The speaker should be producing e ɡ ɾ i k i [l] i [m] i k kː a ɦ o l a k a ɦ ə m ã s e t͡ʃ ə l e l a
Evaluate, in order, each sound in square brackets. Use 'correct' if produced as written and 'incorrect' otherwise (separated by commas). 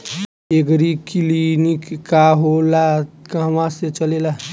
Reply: correct, incorrect